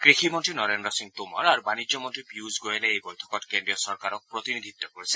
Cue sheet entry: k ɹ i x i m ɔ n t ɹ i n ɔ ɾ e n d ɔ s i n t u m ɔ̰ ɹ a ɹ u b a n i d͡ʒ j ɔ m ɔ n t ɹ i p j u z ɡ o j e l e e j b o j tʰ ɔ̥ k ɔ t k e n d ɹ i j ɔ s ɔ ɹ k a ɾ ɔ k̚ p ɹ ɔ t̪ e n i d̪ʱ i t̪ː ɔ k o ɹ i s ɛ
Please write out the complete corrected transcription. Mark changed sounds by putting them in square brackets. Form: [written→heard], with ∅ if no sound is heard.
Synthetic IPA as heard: k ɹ i x i m ɔ n t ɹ i n ɔ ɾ e n d ɔ s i [n→ŋ] t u m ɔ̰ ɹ a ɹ u b a n i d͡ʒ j ɔ m ɔ n t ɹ i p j u z ɡ o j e l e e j b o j tʰ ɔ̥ k ɔ t k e n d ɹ i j ɔ s ɔ ɹ k a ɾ ɔ k̚ p ɹ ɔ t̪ [e→i] n i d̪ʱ i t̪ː ɔ k o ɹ i s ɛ